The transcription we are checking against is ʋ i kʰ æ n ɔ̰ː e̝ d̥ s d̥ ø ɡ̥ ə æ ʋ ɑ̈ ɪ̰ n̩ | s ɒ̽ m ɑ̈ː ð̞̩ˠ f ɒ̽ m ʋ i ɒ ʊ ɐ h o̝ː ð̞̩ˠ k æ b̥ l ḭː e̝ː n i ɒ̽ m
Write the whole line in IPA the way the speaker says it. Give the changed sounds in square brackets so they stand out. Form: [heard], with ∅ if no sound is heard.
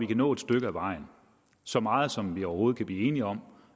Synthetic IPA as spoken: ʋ i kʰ æ n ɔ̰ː e̝ d̥ s d̥ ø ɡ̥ ə æ ʋ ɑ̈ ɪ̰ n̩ | s ɒ̽ m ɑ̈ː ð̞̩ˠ [s] ɒ̽ m ʋ i ɒ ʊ ɐ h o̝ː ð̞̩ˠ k æ b̥ l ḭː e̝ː n i ɒ̽ m